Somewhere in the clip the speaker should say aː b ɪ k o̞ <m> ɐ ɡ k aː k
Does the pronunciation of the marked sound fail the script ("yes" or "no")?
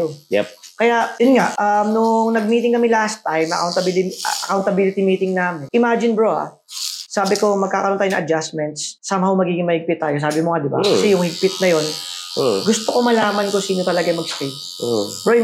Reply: no